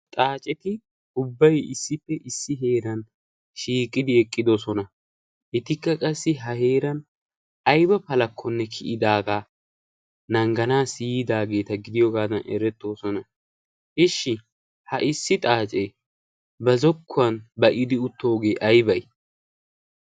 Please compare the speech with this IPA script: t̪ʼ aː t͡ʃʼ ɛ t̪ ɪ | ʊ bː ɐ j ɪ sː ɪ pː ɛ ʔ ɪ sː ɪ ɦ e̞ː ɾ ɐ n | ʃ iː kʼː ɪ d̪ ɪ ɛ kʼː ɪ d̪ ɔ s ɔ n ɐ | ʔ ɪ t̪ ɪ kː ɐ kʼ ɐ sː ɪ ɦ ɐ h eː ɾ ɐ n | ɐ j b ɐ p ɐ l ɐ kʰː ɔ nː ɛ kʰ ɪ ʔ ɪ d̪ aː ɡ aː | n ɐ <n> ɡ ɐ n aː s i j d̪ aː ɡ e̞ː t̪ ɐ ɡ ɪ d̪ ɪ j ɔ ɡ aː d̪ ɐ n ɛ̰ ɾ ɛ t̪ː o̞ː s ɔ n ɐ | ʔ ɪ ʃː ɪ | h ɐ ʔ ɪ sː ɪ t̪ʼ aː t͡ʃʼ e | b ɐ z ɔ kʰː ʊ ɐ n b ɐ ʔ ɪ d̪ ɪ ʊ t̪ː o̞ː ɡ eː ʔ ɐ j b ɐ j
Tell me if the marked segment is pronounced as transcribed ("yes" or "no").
no